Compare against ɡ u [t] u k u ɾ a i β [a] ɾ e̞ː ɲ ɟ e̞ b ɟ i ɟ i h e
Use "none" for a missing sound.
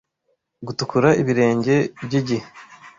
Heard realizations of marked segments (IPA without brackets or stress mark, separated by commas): t, i